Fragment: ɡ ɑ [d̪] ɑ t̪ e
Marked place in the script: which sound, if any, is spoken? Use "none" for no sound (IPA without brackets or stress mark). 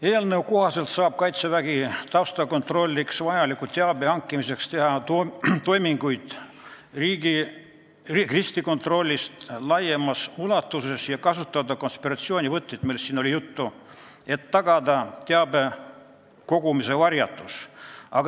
d̪